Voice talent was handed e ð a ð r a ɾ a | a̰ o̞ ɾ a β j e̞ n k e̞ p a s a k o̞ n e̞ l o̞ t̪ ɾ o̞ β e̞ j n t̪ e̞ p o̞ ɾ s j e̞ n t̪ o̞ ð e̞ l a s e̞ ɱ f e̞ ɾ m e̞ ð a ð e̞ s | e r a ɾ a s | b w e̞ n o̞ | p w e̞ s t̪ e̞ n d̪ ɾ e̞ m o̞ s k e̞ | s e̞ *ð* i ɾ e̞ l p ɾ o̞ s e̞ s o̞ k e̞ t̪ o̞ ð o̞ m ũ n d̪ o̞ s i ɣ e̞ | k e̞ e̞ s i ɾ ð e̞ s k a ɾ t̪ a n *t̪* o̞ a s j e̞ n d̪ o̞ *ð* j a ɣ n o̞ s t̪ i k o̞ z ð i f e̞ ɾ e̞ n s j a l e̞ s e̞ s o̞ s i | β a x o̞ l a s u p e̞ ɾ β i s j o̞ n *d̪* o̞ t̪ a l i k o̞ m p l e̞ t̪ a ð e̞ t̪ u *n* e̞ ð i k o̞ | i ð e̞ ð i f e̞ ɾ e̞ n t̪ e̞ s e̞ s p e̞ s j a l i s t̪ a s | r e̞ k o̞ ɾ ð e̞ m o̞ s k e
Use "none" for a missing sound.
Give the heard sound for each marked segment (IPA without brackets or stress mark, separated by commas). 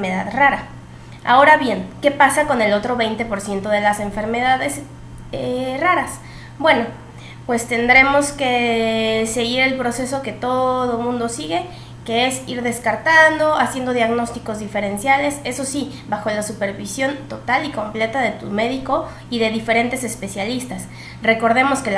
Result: ɣ, d̪, ð, t̪, m